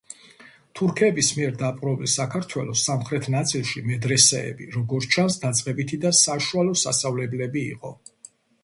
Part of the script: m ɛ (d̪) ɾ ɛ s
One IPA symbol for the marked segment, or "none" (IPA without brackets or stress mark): d̪